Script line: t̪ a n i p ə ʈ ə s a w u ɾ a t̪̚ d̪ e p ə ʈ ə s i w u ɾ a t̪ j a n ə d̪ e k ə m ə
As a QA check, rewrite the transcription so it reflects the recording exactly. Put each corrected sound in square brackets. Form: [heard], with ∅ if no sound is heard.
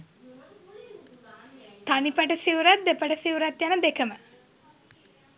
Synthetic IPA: t̪ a n i p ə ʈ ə s [i] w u ɾ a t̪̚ d̪ e p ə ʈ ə s i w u ɾ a t̪ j a n ə d̪ e k ə m ə